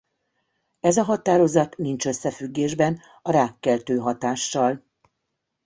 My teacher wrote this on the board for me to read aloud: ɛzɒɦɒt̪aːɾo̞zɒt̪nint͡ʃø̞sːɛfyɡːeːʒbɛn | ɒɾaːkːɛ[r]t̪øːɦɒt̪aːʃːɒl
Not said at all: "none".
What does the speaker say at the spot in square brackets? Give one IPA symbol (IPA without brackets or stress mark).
l